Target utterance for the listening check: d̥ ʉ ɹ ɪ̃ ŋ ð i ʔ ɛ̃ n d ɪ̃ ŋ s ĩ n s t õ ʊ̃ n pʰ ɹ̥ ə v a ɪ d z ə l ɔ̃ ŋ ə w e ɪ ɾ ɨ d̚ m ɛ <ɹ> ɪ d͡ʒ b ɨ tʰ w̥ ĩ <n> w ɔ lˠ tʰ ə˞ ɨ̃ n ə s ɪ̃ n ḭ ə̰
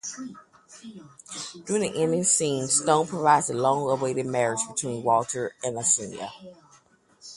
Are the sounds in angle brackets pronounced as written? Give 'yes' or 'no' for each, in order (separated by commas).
yes, yes